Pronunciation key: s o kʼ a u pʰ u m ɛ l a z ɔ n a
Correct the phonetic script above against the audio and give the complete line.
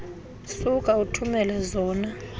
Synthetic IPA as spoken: s u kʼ a u tʰ u m ɛ l ɛ z ɔː n a